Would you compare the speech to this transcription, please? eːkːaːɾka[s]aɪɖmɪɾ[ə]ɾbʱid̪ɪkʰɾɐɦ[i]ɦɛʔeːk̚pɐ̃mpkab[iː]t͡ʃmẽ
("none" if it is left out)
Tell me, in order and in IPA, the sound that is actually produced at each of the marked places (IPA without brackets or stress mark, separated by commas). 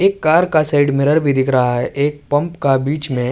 s, ə, a, iː